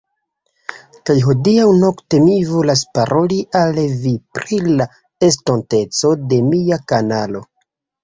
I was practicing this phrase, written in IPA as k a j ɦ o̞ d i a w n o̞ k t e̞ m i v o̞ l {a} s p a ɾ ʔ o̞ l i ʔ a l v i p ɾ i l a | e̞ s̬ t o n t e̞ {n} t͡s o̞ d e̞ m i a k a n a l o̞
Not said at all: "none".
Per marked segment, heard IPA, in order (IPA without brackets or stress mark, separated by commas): a, none